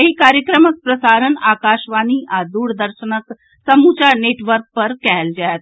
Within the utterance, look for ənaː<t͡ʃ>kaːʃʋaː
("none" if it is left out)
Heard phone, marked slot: none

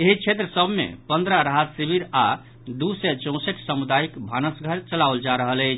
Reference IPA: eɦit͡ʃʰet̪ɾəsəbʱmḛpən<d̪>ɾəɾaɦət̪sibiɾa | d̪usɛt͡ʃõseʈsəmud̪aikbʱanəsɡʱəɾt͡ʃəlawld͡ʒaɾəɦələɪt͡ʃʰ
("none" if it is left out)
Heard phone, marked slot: d̪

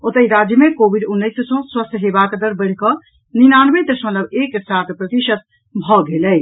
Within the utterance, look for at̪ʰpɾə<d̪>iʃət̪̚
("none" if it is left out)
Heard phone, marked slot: t̪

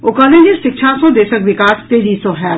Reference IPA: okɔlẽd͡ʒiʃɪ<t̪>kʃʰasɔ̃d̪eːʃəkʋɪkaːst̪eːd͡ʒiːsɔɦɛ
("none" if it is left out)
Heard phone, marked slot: none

